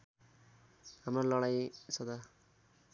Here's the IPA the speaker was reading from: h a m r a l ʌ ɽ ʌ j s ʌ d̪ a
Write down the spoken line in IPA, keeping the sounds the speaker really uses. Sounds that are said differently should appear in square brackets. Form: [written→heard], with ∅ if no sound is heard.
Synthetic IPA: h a m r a l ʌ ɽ [ʌ→a] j s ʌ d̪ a